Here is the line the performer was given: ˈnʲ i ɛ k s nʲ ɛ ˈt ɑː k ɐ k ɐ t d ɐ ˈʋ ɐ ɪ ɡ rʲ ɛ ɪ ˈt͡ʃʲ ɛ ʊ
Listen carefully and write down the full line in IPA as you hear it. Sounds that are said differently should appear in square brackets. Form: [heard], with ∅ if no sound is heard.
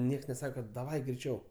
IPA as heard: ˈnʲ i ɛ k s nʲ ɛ [ˈs] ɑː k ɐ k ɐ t d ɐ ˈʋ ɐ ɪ ɡ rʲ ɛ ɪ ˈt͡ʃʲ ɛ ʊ